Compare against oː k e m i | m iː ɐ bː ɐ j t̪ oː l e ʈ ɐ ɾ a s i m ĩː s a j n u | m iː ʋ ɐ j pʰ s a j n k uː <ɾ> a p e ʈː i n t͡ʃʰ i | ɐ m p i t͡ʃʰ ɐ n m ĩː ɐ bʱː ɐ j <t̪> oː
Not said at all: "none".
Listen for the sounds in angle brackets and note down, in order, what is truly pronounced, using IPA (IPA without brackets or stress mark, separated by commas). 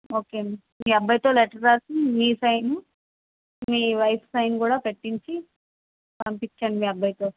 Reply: ɽ, t̪